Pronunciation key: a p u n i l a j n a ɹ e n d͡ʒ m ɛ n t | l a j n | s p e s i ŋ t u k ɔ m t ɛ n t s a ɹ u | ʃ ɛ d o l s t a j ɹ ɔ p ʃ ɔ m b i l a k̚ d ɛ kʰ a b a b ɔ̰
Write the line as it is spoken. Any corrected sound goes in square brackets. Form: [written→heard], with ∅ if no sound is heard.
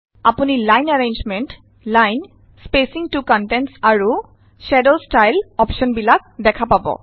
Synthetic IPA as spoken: a p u n i l a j n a ɹ e n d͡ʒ m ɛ n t | l a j n | s p e s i ŋ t u k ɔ [m→n] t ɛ n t s a ɹ u | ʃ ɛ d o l s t a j [ɹ→l] ɔ p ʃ ɔ [m→n] b i l a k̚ d ɛ kʰ a [b→p] a b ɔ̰